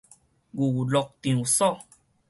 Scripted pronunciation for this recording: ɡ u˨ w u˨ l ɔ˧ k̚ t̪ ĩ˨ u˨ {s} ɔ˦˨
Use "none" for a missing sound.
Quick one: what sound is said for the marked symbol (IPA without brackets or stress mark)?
s